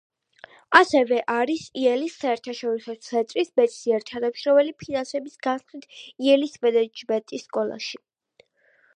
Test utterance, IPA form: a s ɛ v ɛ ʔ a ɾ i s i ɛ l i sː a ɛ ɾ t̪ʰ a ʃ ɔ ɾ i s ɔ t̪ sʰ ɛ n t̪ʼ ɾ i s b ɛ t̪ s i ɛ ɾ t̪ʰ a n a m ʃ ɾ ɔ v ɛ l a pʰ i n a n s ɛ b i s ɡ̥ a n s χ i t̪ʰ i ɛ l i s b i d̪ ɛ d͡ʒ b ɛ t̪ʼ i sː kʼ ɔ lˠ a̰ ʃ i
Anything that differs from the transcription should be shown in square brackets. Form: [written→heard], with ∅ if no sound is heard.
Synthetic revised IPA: a s ɛ v ɛ ʔ a ɾ i s i ɛ l i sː a ɛ ɾ t̪ʰ a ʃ ɔ ɾ i s ɔ t̪ sʰ ɛ n t̪ʼ ɾ i s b ɛ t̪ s i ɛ ɾ t̪ʰ a n a m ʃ ɾ ɔ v ɛ l [a→i] pʰ i n a n s ɛ b i s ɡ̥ a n s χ i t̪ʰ i ɛ l i s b [i→ɛ] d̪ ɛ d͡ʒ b ɛ t̪ʼ i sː kʼ ɔ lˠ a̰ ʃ i